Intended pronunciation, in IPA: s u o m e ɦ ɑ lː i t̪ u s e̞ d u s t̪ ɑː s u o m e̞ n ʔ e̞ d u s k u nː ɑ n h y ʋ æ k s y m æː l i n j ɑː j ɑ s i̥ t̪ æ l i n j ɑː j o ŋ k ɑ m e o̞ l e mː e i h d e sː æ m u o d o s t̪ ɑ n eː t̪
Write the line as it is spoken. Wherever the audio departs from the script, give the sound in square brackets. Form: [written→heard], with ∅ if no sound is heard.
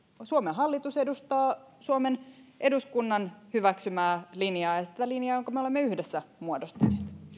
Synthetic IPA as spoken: s u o m e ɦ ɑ lː i t̪ u s e̞ d u s t̪ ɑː s u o m e̞ n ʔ e̞ d u s k u nː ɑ n h y ʋ æ k s y m æː l i n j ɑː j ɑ s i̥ t̪ æ l i n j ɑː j o ŋ k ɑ m e o̞ l e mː e [i→y] h d e sː æ m u o d o s t̪ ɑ n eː t̪